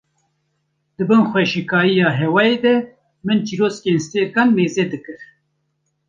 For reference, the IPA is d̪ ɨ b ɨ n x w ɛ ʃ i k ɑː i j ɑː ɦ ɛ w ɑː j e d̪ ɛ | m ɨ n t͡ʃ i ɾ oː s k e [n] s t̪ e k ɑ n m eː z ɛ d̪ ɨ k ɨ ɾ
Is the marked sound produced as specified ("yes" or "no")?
yes